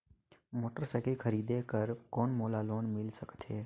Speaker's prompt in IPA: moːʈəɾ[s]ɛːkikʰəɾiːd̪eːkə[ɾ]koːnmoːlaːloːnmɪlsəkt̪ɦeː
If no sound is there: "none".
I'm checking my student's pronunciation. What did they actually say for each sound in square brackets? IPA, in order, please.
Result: s, ɾ

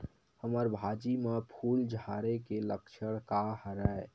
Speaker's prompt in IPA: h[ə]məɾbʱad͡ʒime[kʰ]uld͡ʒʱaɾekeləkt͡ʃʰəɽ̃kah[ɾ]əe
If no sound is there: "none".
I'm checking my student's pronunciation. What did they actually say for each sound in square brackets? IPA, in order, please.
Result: ə, pʰ, ɾ

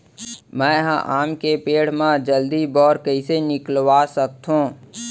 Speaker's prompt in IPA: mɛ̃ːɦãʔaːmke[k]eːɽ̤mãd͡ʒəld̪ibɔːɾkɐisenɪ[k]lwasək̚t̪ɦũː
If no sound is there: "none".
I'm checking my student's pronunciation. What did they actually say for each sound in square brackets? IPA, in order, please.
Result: p, k

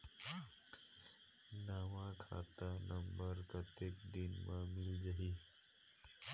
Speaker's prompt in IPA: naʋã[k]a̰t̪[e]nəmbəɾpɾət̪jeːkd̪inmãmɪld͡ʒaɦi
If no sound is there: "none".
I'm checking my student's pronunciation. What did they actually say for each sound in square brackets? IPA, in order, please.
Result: kʰ, a

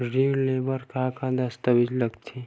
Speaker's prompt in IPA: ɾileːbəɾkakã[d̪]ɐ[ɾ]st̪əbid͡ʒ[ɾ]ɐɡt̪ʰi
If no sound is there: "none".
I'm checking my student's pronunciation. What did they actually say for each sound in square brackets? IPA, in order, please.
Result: d̪, none, l

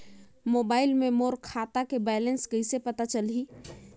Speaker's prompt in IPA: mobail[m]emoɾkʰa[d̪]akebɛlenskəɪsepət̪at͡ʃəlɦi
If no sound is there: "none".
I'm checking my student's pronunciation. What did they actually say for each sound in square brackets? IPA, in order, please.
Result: m, t̪

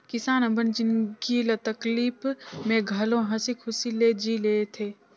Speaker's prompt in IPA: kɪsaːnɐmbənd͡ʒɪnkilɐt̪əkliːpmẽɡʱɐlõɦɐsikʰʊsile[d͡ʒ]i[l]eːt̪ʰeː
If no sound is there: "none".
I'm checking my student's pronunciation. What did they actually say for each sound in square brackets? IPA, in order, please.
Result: d͡ʒ, l

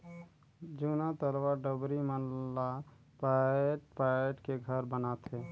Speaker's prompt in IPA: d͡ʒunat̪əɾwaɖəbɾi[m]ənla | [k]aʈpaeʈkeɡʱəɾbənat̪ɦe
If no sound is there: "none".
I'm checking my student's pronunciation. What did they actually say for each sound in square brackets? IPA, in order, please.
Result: m, p

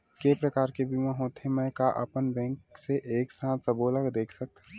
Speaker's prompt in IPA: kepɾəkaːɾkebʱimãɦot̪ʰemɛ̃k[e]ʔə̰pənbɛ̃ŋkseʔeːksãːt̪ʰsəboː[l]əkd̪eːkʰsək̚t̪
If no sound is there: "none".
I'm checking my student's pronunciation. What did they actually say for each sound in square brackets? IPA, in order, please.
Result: a, l

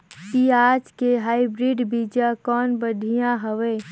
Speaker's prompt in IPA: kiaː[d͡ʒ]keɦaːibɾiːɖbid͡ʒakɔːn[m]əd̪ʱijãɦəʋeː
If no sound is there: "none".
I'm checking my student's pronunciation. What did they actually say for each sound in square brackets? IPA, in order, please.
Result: d͡ʒ, b

